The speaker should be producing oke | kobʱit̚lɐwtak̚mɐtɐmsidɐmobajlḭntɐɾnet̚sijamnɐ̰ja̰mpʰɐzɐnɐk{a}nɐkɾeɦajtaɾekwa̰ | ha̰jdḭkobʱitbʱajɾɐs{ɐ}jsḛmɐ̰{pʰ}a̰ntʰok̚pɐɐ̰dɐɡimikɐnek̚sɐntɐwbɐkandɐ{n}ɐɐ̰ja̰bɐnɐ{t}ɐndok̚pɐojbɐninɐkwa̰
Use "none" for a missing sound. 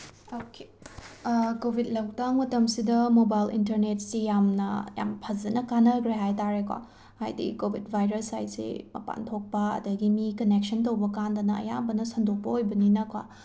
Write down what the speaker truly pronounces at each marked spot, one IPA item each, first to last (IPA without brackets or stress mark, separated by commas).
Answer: a, a, p, n, s